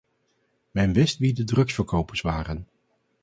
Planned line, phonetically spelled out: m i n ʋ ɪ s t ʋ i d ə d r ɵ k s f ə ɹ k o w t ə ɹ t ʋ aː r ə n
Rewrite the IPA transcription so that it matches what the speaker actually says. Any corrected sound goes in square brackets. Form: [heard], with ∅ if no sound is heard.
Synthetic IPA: m [ɛ] n ʋ ɪ s t ʋ i d ə d r ɵ k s f ə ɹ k o w [p] ə ɹ [s] ʋ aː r ə n

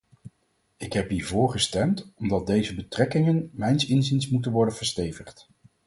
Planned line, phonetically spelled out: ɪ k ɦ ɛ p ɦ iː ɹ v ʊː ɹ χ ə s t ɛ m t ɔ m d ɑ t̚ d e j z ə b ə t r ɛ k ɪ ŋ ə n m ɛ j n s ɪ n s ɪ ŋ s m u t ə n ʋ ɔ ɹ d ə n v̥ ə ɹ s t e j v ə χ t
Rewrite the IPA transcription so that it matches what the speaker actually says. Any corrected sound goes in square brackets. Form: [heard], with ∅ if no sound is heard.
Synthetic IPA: ɪ k ɦ ɛ p ɦ iː ɹ v ʊː ɹ χ ə s t ɛ m t ɔ m d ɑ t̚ d e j z ə b ə t r ɛ k ɪ ŋ ə n m ɛ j n s ɪ n [z] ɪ [n] s m u t ə n ʋ ɔ ɹ d ə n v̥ ə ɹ s t e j v ə χ t

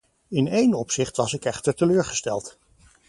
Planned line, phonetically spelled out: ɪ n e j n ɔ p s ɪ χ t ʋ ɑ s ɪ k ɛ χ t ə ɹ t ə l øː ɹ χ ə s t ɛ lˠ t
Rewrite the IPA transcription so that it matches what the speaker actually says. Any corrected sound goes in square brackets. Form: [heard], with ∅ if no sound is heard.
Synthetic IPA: ɪ n e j n ɔ p s ɪ χ t ʋ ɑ s ɪ k ɛ χ t ə ɹ t ə l øː ɹ χ ə s t ɛ lˠ t

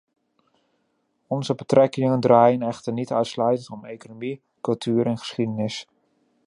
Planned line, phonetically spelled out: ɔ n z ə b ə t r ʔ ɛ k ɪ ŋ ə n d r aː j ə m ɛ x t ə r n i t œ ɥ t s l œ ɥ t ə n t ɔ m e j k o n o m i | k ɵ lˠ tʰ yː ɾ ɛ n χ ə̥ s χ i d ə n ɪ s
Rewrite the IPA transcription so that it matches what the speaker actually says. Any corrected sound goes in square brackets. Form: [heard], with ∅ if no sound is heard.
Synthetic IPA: ɔ n z ə b ə t r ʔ ɛ k ɪ ŋ ə n d r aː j ə [n] ɛ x t ə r n i t œ ɥ t s l œ ɥ t ə n t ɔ m e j k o n o m i | k ɵ lˠ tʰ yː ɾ ɛ n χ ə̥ s χ i d ə n ɪ s

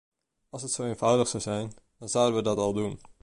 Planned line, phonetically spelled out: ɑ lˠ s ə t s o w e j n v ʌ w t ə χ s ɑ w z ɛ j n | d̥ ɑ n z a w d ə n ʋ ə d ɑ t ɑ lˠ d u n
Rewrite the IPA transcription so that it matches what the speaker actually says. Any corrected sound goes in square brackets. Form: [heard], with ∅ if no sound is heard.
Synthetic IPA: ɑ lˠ s ə t s o w e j n v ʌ w [d] ə χ s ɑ w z ɛ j n | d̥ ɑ n z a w d ə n ʋ ə d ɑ t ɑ lˠ d u n

